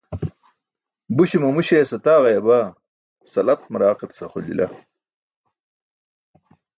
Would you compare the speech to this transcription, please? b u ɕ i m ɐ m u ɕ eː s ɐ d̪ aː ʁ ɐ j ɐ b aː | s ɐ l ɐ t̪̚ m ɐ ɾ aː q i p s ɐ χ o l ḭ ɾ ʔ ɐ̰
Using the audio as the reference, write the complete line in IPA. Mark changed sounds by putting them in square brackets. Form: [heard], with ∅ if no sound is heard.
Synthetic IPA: b u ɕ i m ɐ m u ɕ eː s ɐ [t̪] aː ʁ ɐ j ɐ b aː | s ɐ l ɐ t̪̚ m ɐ ɾ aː q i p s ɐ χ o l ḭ [l] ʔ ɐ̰